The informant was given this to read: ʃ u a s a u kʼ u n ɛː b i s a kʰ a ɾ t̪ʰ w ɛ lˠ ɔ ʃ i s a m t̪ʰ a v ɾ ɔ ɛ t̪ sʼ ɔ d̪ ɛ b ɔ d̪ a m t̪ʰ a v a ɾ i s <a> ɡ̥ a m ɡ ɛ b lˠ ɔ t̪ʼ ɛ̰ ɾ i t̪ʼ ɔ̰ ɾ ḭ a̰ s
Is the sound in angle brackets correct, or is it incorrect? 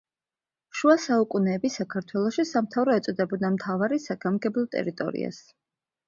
correct